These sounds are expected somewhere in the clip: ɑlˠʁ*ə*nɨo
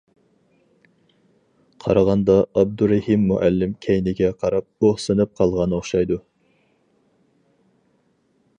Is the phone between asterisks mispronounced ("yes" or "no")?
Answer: yes